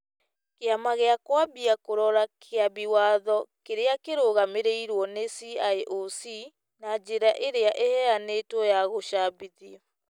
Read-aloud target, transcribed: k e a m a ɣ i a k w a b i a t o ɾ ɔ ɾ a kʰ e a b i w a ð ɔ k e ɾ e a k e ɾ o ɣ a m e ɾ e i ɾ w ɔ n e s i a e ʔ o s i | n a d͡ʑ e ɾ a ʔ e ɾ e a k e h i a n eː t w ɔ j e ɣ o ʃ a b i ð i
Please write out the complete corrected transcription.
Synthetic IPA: k e a m a ɣ e a k w a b i a k o ɾ ɔ ɾ a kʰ e a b i w a ð ɔ k e ɾ e a k e ɾ o ɣ a m e ɾ e i ɾ w ɔ n e s i a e ʔ o s i | n a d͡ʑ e ɾ a ʔ e ɾ e a ʔ e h ɛ a n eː t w ɔ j a ɣ o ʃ a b i ð i